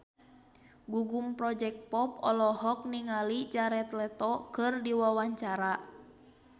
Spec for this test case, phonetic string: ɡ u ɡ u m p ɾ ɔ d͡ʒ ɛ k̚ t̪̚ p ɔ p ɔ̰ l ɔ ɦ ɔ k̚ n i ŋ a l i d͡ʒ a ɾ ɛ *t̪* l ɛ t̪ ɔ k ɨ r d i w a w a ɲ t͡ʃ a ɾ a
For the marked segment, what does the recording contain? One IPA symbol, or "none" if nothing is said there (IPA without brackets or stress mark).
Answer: t̪